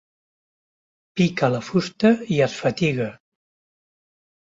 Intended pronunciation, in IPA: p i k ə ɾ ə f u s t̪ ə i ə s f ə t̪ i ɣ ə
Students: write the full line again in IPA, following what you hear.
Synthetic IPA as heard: p i k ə l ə f u s t̪ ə i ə s f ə t̪ i ɣ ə